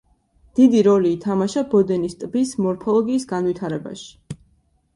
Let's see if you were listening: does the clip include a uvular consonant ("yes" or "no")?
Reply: no